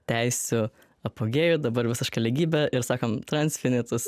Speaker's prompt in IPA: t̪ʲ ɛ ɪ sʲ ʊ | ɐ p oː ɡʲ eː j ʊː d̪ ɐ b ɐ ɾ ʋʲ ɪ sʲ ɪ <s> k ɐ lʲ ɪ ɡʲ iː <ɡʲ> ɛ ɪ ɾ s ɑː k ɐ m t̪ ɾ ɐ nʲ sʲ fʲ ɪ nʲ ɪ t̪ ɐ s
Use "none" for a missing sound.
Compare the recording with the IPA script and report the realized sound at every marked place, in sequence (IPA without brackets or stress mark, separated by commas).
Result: ʃ, bʲ